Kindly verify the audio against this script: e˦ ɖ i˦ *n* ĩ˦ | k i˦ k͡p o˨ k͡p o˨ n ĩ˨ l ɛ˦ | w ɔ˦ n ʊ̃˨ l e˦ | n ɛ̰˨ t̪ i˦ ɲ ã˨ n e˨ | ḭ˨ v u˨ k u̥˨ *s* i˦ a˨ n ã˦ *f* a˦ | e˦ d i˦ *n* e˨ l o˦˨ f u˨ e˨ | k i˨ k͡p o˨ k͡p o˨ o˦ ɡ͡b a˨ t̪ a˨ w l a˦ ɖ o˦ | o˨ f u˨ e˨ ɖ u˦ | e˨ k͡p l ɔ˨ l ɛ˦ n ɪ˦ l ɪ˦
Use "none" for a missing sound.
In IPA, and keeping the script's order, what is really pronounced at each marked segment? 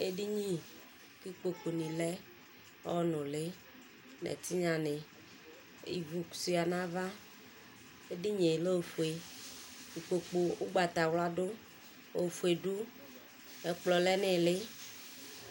ɲ, s, v, ɲ

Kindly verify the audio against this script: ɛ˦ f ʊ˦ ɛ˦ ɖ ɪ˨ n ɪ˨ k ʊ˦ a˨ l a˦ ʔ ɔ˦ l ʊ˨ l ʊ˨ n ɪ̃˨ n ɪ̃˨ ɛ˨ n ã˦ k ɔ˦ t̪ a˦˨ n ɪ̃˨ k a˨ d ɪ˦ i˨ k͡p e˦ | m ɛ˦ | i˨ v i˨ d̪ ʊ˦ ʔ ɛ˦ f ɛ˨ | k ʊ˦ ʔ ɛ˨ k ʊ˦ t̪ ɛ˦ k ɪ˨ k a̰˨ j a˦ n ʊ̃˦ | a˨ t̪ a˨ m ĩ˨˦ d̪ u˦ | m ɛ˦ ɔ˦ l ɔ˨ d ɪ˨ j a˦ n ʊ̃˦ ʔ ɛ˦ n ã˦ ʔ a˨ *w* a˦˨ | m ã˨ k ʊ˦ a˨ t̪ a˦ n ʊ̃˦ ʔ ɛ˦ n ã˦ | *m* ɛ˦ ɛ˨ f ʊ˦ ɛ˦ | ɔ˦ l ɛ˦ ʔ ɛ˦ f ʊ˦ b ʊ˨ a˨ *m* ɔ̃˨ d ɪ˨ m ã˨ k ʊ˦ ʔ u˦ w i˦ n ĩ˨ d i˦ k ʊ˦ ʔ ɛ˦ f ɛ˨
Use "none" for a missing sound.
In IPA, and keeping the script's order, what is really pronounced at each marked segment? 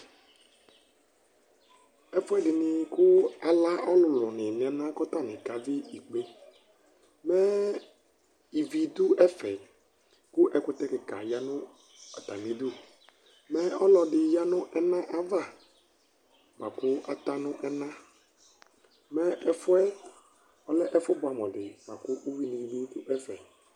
v, m, m

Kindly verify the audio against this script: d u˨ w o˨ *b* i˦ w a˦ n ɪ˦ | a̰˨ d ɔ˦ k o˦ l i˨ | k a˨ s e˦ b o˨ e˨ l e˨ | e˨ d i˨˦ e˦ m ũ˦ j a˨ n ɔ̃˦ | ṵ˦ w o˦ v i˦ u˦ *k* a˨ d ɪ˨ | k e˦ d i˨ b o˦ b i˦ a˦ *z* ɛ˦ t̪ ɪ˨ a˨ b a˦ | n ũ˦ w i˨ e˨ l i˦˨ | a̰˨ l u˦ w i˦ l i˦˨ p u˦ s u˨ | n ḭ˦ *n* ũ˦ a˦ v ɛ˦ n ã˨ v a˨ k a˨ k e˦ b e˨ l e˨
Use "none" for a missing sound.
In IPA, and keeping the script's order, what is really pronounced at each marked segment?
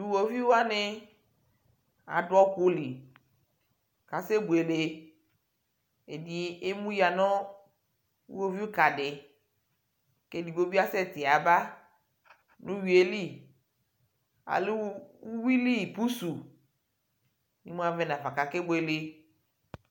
v, k, s, m

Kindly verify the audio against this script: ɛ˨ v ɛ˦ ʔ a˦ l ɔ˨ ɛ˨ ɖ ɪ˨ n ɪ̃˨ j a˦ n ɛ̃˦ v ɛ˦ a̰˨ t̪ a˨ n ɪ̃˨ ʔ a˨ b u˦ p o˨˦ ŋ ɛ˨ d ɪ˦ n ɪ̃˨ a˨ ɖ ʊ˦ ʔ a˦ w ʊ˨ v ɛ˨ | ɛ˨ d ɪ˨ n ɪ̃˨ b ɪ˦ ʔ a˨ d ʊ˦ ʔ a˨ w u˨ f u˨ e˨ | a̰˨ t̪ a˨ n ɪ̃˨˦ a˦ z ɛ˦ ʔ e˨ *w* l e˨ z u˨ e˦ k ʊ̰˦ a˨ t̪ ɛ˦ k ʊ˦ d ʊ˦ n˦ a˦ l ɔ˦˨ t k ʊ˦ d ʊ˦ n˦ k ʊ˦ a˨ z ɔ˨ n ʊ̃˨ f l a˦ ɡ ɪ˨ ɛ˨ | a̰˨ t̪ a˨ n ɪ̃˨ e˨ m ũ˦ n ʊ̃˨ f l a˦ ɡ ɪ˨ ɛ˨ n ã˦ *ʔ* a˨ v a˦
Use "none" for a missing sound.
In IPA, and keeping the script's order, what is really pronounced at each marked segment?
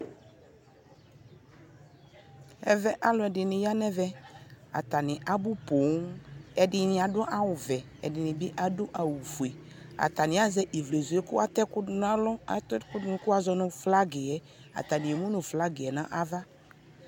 v, ʔ

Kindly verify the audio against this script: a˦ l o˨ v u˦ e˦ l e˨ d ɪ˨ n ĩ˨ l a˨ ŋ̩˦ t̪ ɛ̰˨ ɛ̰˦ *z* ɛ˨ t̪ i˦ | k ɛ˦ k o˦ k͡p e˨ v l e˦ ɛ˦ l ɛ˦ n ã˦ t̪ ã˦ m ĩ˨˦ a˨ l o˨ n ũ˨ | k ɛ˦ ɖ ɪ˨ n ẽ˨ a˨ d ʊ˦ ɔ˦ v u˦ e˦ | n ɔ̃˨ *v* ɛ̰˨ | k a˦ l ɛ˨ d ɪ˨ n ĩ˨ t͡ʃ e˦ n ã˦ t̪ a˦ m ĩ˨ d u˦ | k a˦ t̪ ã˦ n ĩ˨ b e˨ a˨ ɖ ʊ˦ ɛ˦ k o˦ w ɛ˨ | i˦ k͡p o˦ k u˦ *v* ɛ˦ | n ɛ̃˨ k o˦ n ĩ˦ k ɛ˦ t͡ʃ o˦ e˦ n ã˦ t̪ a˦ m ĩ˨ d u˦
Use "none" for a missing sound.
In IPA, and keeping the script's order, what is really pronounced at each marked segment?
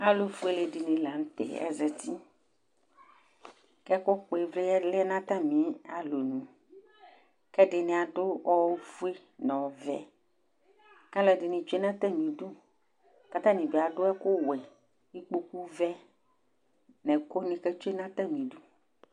z, v, v

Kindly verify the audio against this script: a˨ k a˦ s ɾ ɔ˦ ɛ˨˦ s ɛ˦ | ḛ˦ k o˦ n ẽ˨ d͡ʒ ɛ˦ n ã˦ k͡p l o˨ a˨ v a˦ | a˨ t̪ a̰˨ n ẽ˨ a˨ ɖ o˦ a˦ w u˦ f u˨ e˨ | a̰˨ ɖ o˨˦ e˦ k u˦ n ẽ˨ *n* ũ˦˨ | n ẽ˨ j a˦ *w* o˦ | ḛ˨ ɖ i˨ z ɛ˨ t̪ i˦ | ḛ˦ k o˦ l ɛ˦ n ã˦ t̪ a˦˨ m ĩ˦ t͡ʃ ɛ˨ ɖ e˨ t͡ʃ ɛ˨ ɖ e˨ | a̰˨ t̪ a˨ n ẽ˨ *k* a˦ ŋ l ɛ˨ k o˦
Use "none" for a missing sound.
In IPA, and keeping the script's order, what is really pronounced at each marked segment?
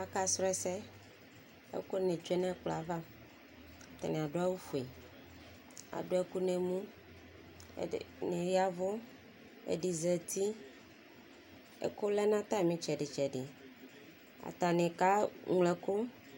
m, v, k

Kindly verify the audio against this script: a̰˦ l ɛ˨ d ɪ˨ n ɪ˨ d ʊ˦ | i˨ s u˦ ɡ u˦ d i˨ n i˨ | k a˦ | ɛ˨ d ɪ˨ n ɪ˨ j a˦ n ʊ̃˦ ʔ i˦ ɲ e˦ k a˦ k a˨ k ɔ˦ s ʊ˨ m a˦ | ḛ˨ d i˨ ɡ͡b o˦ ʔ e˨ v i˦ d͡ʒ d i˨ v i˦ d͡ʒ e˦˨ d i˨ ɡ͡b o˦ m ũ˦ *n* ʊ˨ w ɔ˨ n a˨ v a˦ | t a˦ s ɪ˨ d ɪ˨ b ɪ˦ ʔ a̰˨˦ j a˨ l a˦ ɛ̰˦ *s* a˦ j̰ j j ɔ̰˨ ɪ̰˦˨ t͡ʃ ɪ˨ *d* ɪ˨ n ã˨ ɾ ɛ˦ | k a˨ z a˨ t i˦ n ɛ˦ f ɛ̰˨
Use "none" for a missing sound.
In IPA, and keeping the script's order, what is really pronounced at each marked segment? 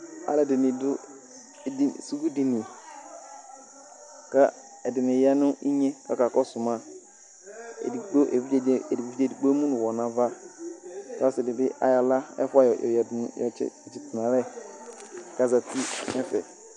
n, f, t

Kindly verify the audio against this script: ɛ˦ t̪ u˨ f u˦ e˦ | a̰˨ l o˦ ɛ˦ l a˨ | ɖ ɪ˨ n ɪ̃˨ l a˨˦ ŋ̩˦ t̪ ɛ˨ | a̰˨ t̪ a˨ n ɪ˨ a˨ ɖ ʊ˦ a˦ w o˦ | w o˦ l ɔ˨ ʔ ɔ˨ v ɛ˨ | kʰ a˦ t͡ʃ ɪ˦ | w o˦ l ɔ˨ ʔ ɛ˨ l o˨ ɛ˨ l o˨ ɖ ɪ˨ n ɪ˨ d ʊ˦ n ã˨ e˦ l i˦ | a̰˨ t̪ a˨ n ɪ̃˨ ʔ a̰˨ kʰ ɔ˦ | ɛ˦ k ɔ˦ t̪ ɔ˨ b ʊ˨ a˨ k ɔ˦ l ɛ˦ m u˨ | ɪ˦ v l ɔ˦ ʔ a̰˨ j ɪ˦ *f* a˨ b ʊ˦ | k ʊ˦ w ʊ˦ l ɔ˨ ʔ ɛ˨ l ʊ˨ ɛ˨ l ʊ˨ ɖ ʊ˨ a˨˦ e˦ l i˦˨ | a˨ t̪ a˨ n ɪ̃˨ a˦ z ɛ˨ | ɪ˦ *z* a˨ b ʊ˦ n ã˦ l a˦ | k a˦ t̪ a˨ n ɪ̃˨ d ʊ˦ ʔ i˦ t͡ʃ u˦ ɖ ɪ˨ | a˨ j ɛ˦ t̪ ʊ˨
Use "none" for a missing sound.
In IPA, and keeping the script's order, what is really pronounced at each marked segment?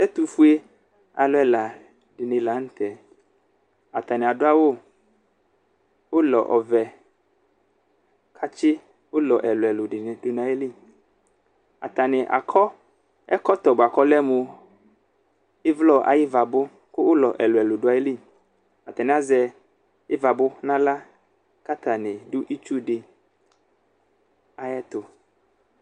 v, v

